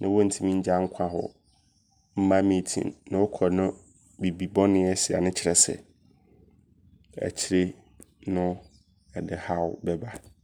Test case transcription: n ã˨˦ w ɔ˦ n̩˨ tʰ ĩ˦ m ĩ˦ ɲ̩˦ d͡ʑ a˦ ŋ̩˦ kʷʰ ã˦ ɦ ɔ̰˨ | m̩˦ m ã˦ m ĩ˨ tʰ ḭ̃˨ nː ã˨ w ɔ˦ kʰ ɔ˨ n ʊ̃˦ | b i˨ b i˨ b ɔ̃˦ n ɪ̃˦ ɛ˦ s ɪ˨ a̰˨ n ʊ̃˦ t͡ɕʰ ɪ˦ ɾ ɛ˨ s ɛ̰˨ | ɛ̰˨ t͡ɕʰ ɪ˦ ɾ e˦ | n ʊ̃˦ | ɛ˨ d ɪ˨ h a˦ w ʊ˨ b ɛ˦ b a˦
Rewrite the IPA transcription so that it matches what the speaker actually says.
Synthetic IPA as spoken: n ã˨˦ w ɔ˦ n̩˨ tʰ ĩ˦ m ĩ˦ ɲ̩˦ d͡ʑ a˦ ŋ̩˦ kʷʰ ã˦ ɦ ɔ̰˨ | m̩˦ m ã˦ m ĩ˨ tʰ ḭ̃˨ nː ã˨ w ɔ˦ kʰ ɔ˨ n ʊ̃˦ | b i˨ b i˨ b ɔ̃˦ n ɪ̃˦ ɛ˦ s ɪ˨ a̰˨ n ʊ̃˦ t͡ɕʰ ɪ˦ ɾ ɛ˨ s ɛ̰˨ | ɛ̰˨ t͡ɕʰ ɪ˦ ɾ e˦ | n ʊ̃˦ | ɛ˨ d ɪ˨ h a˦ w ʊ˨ b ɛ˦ b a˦